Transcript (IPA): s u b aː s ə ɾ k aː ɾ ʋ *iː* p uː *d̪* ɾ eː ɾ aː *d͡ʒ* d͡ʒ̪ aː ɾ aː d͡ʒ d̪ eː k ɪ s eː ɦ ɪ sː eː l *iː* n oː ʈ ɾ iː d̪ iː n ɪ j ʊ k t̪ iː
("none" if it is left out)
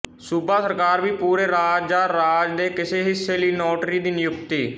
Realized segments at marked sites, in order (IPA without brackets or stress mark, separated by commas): iː, none, d͡ʒ, iː